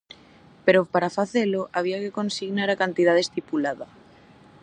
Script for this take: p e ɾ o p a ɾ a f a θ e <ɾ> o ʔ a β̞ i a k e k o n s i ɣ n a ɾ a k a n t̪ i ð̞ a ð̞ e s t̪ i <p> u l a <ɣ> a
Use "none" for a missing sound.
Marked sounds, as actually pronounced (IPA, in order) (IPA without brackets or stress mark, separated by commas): l, p, ð